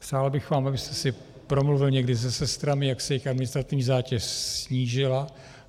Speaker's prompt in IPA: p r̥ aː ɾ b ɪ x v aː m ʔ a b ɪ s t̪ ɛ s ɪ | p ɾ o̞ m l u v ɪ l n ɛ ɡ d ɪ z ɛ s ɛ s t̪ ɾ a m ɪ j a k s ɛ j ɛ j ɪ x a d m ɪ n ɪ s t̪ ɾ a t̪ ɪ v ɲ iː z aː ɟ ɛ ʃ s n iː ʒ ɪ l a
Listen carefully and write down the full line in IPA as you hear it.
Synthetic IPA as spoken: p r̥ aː l b ɪ x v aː m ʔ a b ɪ s t̪ ɛ s ɪ | p ɾ o̞ m l u v ɪ l ɲ ɛ ɡ d ɪ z ɛ s ɛ s t̪ ɾ a m ɪ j a k s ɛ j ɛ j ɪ x a d m ɪ n ɪ s t̪ ɾ a t̪ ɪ v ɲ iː z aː c ɛ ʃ s ɲ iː ʒ ɪ l a